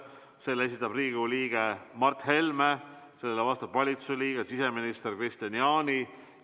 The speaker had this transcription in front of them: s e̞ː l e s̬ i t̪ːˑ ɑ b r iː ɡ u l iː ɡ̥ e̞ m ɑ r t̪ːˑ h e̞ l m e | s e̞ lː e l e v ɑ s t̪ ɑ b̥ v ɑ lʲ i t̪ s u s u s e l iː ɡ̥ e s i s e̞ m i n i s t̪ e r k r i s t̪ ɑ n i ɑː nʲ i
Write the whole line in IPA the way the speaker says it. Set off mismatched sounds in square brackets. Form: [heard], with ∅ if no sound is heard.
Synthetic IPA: s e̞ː l e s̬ i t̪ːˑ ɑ b r iː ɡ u l iː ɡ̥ e̞ m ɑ r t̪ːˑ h e̞ l m e | s e̞ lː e l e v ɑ s t̪ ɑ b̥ v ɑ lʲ i t̪ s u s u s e l iː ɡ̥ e s i s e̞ m i n i s t̪ e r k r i s t̪ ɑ n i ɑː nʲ i